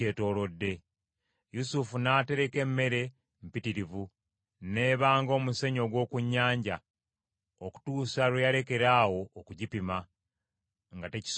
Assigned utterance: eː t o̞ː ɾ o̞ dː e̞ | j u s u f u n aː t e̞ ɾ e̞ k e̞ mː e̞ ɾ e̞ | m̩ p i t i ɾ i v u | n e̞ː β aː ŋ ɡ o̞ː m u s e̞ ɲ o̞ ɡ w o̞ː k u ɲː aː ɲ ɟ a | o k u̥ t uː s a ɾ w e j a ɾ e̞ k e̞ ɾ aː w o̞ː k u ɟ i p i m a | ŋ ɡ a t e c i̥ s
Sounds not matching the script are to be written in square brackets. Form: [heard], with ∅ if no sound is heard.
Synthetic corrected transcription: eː t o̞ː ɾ o̞ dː e̞ | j u s u f u n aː t e̞ ɾ e̞ k e̞ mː e̞ ɾ e̞ | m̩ p i t i ɾ i v u | n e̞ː β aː ŋ ɡ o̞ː m u s e̞ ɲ o̞ ɡ w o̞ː k u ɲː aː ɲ ɟ a | o k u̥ t uː s a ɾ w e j a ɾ e̞ k e̞ ɾ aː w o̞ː k u ɟ i p i m a | ŋ ɡ a t e c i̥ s